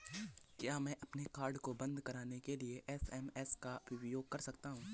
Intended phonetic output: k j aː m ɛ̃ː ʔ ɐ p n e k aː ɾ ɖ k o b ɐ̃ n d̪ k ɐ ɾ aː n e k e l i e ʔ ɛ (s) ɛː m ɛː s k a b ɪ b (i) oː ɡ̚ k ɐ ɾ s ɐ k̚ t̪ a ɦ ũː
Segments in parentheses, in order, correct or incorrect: correct, incorrect: j

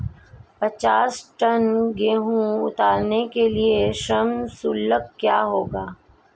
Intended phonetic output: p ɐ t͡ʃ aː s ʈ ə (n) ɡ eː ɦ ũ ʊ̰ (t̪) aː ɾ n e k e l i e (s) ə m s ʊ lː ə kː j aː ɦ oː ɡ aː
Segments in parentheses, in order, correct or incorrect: correct, correct, incorrect: ʃ

